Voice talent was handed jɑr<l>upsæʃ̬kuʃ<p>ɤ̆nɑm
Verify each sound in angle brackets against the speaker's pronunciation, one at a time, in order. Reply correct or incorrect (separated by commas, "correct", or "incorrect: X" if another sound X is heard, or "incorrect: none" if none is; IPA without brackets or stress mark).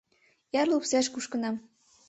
correct, incorrect: k